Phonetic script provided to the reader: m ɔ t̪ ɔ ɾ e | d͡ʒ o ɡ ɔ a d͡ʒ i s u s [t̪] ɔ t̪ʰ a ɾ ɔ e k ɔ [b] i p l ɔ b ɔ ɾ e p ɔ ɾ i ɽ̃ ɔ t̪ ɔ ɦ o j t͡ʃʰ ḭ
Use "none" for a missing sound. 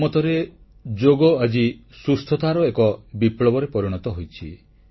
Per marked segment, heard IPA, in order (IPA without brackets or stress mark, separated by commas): t̪ʰ, b